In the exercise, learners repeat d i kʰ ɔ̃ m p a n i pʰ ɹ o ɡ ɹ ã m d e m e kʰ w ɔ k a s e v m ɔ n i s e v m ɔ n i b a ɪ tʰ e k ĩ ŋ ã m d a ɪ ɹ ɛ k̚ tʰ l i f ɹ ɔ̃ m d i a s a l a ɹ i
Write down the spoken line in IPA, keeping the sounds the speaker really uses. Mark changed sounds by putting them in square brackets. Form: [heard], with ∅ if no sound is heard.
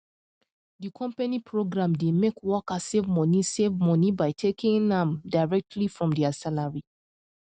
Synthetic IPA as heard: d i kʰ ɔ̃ m p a n i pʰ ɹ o ɡ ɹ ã m d e m e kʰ w ɔ k a s e v m ɔ n i s e v m ɔ n i b a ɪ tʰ e k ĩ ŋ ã m d a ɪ ɹ ɛ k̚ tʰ l i f ɹ ɔ̃ m d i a s a l a ɹ i